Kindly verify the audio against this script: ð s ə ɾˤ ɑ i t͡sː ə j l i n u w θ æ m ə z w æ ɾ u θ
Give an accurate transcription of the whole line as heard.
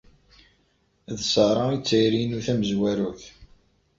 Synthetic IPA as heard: ð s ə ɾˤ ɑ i t͡sː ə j ɾ i n u θ æ m ə z w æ ɾ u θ